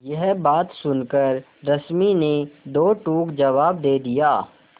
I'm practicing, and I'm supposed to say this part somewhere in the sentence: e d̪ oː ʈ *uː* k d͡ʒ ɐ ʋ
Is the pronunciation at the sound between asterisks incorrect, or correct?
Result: correct